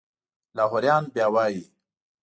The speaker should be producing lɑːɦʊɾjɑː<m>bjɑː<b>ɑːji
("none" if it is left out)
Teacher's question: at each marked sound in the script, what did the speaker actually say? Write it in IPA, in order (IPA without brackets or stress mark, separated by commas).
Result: n, w